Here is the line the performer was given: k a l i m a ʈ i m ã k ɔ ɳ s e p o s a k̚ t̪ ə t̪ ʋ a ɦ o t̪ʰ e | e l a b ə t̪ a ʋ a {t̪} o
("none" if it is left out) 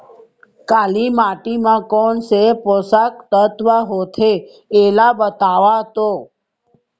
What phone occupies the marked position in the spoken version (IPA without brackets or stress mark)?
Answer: t̪